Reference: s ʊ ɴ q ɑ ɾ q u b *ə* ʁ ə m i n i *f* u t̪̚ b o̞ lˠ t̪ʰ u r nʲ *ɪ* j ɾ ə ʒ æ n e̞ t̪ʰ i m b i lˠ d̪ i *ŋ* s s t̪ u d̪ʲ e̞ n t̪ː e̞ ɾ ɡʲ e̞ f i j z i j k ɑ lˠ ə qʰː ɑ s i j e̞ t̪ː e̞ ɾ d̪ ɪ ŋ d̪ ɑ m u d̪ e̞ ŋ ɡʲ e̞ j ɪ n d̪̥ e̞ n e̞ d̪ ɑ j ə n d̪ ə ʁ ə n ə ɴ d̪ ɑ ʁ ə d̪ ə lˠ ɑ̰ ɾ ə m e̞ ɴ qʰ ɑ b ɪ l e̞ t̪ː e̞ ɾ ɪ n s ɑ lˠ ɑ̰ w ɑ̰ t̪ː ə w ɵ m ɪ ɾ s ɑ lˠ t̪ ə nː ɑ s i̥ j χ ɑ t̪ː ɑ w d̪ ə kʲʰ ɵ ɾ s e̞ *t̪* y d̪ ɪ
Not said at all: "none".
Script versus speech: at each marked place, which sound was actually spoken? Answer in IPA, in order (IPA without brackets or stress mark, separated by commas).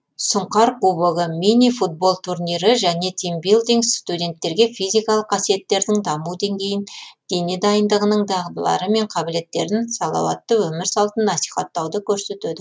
ə, f, i, ŋ, t̪